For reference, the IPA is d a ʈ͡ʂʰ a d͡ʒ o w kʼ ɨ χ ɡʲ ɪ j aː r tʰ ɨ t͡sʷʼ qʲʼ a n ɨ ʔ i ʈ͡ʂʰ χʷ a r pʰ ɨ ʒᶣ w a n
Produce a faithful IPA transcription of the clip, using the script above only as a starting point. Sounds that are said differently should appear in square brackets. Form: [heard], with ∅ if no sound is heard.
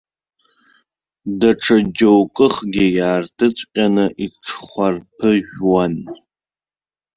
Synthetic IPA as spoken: d a ʈ͡ʂʰ a d͡ʒ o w kʼ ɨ χ ɡʲ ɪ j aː r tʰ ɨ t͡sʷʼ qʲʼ a n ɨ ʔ i ʈ͡ʂʰ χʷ a r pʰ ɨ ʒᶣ w a n